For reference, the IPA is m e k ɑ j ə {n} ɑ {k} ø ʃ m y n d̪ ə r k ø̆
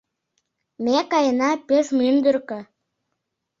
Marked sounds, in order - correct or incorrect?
correct, incorrect

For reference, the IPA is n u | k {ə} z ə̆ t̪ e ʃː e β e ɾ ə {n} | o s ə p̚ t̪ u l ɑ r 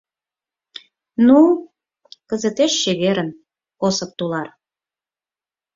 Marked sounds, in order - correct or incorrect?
correct, correct

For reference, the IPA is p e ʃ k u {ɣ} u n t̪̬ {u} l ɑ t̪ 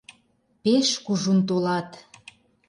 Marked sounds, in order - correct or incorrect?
incorrect, incorrect

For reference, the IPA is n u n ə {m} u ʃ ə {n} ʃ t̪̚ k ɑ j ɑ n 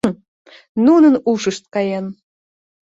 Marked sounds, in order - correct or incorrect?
incorrect, incorrect

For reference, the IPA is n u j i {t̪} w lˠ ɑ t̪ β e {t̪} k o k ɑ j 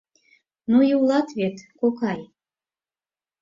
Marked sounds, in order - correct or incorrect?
incorrect, correct

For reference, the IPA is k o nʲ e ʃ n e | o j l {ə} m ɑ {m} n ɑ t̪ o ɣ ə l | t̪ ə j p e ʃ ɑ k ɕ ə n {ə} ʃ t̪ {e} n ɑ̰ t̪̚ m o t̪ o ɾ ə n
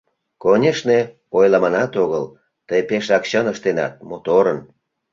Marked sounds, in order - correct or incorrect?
incorrect, incorrect, correct, correct

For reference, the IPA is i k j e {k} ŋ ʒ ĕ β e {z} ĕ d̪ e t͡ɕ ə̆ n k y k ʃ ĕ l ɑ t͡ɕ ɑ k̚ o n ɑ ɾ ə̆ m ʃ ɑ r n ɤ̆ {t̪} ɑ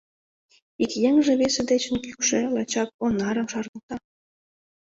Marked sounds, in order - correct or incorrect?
incorrect, incorrect, correct

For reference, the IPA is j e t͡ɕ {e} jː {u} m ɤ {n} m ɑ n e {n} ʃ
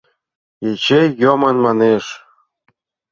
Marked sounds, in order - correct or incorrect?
correct, incorrect, correct, incorrect

